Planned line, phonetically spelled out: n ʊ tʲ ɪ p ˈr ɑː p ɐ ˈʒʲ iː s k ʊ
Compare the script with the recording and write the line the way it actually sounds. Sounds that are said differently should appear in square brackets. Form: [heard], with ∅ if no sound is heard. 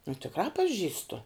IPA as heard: n ʊ tʲ ɪ [k] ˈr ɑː p ɐ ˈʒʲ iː s [t] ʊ